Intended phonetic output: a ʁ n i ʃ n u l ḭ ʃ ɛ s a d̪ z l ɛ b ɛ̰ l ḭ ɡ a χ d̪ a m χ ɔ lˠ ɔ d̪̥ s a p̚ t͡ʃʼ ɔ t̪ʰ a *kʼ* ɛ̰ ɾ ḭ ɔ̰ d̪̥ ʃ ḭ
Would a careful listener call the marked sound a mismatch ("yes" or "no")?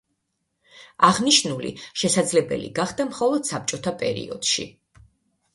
yes